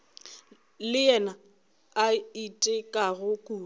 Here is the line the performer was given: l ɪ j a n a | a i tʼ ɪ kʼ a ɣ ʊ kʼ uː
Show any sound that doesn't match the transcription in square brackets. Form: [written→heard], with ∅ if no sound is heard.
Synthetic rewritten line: l ɪ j [a→ɛ] n a | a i tʼ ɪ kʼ a ɣ ʊ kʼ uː

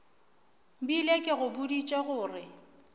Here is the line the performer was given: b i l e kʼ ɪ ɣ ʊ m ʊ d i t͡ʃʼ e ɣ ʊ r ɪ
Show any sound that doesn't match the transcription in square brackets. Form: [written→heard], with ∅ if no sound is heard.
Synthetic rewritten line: b i l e kʼ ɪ ɣ ʊ [m→b] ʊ d i t͡ʃʼ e ɣ [ʊ→ʊː] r ɪ

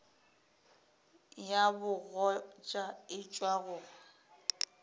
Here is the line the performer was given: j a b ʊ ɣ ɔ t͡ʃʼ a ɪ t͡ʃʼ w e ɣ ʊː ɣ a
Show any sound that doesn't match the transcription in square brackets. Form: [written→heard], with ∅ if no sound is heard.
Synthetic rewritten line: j a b ʊ ɣ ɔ t͡ʃʼ a ɪ t͡ʃʼ w [e→a] ɣ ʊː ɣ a

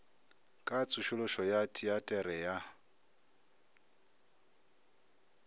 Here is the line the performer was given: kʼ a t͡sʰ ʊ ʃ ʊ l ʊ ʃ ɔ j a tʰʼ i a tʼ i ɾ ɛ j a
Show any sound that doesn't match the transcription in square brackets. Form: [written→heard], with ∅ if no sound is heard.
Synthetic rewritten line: kʼ a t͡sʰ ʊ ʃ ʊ l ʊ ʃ ɔ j a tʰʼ i a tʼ [i→ɛ] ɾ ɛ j a

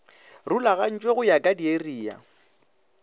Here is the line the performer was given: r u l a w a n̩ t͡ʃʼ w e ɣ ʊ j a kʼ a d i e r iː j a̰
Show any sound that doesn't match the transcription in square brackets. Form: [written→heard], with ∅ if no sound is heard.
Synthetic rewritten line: r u l a [w→ɣ] a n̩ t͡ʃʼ w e ɣ ʊ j a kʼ a d i e r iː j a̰

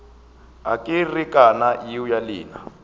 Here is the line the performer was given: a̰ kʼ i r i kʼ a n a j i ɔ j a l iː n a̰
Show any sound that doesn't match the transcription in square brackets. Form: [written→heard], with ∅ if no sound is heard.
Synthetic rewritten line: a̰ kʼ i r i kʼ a n a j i [ɔ→u] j a l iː n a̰

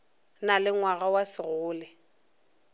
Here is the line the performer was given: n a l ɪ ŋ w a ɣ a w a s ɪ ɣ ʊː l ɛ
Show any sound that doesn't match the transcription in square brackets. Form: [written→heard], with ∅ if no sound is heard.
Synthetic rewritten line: n a l ɪ ŋ w a ɣ a w a s ɪ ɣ ʊː l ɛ

